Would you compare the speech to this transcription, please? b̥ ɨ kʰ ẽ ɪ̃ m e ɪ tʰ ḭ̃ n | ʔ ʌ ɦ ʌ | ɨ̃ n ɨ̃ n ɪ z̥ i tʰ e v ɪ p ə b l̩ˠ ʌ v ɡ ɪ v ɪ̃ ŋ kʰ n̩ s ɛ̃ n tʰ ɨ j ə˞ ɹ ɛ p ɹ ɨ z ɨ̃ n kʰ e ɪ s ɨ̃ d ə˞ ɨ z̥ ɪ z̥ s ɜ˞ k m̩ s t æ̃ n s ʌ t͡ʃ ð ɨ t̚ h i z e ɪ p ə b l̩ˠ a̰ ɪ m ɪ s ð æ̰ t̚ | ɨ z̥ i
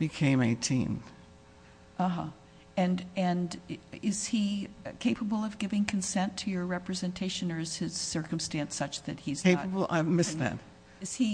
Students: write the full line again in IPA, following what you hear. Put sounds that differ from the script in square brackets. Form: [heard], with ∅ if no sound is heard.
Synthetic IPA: b̥ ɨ kʰ ẽ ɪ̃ m e ɪ tʰ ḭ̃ n | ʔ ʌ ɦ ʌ | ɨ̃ n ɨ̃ n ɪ z̥ i [kʰ] e [∅] ɪ p ə b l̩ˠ ʌ v ɡ ɪ v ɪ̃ ŋ kʰ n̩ s ɛ̃ n tʰ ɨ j ə˞ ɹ ɛ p ɹ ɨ z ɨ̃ n [tʰ] e ɪ [ʃ] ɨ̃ [n] ə˞ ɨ z̥ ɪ z̥ s ɜ˞ k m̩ s t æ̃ n s ʌ t͡ʃ ð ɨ t̚ h i z e ɪ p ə b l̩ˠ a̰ ɪ m ɪ s ð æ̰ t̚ | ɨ z̥ i